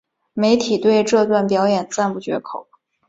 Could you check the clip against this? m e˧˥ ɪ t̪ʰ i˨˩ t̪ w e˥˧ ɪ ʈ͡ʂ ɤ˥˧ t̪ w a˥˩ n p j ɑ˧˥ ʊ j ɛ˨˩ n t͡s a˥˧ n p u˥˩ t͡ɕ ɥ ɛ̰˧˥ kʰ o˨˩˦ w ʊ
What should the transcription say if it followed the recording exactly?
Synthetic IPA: m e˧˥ ɪ t̪ʰ i˨˩ t̪ w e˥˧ ɪ ʈ͡ʂ ɤ˥˧ t̪ w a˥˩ n p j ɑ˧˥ ʊ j ɛ˨˩ n t͡s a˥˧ n p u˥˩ t͡ɕ ɥ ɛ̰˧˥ kʰ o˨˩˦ ʊ